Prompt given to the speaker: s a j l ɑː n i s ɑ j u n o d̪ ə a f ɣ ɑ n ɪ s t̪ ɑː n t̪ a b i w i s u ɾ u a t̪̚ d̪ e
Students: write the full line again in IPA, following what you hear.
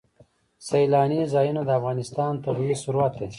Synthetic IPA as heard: s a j l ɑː n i z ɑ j u n o d̪ ə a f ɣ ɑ n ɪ s t̪ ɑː n t̪ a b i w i s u ɾ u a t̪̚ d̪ e